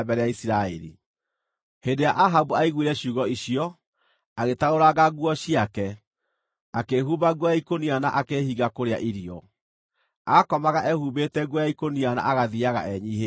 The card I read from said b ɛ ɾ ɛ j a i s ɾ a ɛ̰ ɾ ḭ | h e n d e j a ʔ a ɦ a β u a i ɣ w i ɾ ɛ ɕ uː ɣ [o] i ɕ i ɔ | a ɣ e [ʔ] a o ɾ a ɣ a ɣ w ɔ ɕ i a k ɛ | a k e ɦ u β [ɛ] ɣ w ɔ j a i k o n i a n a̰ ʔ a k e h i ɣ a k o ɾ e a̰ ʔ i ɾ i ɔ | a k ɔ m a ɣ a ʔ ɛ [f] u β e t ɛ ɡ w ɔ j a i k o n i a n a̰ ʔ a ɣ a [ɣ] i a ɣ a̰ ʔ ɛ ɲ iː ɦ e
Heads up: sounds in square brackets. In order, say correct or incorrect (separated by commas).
incorrect, incorrect, incorrect, incorrect, incorrect